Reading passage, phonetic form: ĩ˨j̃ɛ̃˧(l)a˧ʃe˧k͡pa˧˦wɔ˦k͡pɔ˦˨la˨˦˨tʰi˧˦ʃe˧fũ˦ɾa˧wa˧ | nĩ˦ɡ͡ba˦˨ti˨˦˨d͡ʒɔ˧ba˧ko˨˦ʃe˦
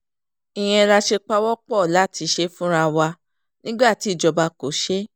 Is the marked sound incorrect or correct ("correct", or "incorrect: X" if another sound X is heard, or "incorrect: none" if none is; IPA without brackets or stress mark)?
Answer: incorrect: ɾ